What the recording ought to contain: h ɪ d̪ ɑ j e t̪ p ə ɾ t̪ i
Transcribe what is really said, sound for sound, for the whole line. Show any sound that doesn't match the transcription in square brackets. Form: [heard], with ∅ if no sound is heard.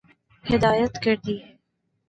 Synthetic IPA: h ɪ d̪ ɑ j [a] t̪ [k] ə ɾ [d̪] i

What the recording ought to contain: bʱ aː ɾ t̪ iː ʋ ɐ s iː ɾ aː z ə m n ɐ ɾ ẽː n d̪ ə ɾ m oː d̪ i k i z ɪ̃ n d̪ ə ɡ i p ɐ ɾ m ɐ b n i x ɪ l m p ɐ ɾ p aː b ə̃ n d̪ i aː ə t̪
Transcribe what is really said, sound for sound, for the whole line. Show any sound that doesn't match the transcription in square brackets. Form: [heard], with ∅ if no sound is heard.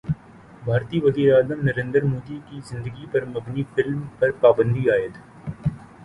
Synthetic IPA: bʱ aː ɾ t̪ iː ʋ ɐ [z] iː ɾ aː z ə m n ɐ ɾ ẽː n d̪ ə ɾ m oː d̪ i k i z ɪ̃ n d̪ ə ɡ i p ɐ ɾ m ɐ b n i [f] ɪ l m p ɐ ɾ p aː b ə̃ n d̪ i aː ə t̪

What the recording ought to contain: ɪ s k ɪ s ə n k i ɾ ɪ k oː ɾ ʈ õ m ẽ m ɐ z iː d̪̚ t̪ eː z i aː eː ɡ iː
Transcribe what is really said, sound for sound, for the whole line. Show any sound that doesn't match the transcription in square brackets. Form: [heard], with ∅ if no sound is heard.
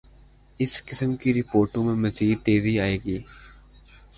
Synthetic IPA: ɪ s k ɪ s ə [m] k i ɾ ɪ [p] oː ɾ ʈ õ m ẽ m ɐ z iː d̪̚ t̪ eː z i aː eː ɡ iː

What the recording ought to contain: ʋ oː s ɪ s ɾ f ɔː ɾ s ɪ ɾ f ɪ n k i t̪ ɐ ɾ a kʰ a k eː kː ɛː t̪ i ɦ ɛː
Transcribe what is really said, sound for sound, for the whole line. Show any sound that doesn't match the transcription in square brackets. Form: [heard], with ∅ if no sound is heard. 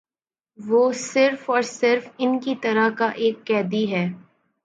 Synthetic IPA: ʋ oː s ɪ [∅] ɾ f ɔː ɾ s ɪ ɾ f ɪ n k i t̪ ɐ ɾ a [k] a [ʔ] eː kː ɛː [d̪] i ɦ ɛː

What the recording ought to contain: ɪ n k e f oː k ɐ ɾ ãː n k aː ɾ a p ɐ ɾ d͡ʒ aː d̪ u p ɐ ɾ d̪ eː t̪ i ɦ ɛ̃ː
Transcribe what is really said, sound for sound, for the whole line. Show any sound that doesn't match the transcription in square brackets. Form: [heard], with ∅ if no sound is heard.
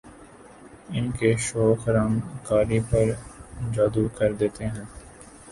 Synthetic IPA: ɪ n k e [ʃ] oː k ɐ ɾ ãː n k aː ɾ [i] p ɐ ɾ d͡ʒ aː d̪ u [k] ɐ ɾ d̪ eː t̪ [e] ɦ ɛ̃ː

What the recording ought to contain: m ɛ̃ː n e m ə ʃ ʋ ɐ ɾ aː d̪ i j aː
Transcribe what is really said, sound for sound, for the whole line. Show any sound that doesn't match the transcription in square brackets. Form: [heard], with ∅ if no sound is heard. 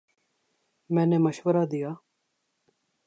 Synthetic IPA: m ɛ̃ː n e m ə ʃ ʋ [ə] ɾ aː d̪ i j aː

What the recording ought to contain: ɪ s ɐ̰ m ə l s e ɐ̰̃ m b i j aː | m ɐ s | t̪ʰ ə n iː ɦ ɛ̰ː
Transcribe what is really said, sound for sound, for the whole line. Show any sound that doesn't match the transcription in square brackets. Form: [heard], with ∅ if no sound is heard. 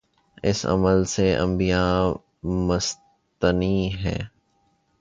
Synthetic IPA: ɪ s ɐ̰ m ə l s e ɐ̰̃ m b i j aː | m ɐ s | [t̪] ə n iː ɦ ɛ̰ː

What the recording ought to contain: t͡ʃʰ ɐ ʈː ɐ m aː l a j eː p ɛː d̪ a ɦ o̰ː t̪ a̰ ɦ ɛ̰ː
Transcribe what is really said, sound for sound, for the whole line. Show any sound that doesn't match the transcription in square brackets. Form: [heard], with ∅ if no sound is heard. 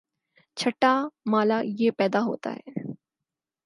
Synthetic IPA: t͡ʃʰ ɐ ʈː [a] m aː l a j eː p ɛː d̪ a ɦ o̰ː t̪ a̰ ɦ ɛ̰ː

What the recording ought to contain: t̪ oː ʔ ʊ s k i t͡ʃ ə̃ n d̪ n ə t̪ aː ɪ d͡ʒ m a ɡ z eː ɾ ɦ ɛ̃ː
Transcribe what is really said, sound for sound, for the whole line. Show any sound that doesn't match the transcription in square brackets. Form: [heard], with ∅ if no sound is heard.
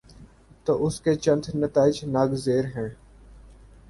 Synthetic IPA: t̪ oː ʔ ʊ s k [e] t͡ʃ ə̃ n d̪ n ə t̪ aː ɪ d͡ʒ [n] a ɡ z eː ɾ ɦ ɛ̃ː

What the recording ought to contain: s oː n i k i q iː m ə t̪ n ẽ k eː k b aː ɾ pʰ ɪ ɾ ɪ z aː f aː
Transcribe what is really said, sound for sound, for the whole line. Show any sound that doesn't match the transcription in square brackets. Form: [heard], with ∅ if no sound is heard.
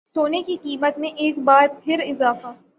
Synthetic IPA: s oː n [e] k i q iː m ə t̪ [m] ẽ [ʔ] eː k b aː ɾ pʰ ɪ ɾ ɪ z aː f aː

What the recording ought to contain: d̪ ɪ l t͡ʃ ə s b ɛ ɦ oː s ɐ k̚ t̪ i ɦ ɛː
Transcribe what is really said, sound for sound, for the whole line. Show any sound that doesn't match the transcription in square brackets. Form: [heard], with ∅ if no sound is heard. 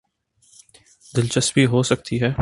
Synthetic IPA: d̪ ɪ l t͡ʃ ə s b [i] ɦ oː s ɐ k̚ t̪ i ɦ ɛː

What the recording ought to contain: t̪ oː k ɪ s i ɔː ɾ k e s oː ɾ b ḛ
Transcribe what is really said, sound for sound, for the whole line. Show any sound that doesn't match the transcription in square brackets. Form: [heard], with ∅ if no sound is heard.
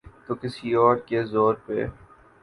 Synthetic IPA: t̪ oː k ɪ s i ɔː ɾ k e [z] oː ɾ [p] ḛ

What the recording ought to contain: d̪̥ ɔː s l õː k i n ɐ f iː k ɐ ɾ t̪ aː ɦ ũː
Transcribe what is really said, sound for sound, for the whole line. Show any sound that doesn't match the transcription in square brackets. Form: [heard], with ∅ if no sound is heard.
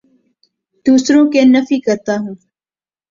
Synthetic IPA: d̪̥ [uː] s [ɾ] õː k [e] n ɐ f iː k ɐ ɾ t̪ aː ɦ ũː

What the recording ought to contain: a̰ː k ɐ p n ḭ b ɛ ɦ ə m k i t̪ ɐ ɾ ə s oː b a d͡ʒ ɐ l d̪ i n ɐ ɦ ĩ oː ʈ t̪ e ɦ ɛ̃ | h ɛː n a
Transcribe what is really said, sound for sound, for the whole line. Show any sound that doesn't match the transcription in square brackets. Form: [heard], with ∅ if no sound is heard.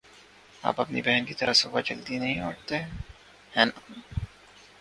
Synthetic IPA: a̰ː [p] ɐ p n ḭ b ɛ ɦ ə [n] k i t̪ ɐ ɾ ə s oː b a d͡ʒ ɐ l d̪ i n ɐ ɦ ĩ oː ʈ t̪ e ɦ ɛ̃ | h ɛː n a

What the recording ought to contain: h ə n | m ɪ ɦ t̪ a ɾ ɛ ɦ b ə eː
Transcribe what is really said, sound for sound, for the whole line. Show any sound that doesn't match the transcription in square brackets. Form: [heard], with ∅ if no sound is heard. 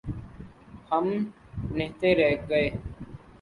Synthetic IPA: h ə [m] | [n] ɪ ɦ t̪ [e] ɾ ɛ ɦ [ɡ] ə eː

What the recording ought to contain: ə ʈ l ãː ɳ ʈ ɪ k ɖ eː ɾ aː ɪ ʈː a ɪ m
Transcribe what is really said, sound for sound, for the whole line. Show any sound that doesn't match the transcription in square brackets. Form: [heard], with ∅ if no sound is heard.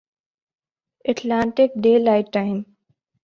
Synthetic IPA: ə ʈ l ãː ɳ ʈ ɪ k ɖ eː [l] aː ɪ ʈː a ɪ m

